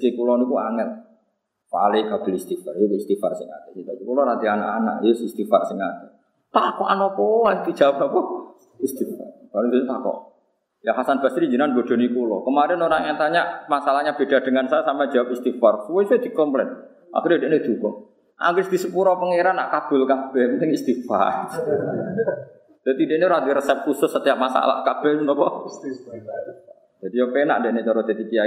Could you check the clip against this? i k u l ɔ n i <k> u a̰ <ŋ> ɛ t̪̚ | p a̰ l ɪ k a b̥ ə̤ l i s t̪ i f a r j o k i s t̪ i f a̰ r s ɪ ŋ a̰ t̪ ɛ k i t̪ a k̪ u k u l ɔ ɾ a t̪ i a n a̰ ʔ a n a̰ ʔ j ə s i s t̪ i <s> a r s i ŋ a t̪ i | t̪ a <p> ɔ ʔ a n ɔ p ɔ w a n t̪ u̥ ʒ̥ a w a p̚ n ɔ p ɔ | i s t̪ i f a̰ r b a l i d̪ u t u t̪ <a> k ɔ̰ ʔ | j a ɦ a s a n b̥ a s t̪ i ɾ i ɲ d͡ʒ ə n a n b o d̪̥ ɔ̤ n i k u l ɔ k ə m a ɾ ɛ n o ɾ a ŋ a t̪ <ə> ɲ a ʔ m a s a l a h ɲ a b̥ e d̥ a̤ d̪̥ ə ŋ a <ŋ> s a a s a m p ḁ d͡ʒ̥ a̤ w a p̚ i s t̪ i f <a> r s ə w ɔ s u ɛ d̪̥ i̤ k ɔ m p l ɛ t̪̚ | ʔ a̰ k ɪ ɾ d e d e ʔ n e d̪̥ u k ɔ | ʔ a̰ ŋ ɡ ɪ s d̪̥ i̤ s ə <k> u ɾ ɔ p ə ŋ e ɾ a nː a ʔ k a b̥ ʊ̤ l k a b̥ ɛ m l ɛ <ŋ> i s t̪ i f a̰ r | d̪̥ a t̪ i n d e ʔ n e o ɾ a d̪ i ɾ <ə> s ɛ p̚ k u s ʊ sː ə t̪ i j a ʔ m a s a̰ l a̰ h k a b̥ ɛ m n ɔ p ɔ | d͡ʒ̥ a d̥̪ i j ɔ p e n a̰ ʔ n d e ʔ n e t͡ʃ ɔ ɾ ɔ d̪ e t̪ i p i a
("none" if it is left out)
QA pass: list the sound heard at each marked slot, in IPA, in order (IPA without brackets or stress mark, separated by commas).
k, ŋ, f, k, a, a, n, a, p, ŋ, ə